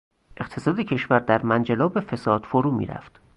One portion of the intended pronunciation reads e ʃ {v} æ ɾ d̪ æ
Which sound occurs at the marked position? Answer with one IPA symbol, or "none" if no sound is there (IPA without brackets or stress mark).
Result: v